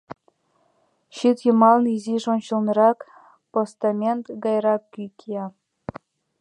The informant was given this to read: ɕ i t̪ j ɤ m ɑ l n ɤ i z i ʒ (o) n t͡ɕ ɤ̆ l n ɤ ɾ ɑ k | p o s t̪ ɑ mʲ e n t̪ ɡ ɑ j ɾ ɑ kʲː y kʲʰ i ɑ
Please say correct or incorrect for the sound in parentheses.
correct